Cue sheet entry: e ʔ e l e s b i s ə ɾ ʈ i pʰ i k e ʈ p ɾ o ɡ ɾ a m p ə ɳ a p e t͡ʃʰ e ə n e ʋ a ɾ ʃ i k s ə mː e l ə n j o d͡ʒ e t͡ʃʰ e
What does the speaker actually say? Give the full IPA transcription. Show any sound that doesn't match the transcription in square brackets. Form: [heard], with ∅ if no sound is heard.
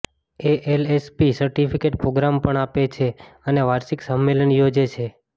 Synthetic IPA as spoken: e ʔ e l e s [p] i s ə ɾ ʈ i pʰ i k e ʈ p ɾ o ɡ ɾ a m p ə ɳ a p e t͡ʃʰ e ə n e ʋ a ɾ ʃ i k s ə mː e l ə n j o d͡ʒ e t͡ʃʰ e